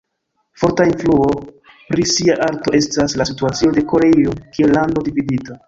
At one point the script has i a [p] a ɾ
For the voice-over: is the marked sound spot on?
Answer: no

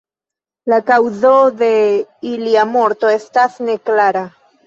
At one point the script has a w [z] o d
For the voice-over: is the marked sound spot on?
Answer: yes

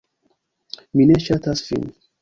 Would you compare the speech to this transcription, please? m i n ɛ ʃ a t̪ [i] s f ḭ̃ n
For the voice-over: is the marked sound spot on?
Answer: no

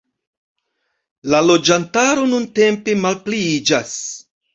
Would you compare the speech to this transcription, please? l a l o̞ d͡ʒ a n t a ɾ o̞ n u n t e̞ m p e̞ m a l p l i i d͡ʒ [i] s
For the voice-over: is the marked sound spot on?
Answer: no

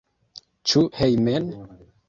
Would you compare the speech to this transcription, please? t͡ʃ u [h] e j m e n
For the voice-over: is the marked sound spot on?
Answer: yes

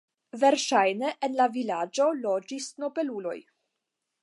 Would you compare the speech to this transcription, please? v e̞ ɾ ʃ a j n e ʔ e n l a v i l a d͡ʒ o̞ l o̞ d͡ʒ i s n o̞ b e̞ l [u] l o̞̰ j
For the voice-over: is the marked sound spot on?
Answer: yes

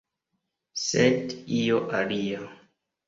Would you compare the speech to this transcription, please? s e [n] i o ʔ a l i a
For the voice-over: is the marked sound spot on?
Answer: no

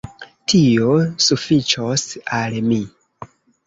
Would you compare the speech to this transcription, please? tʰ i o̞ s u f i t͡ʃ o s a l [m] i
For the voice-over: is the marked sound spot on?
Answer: yes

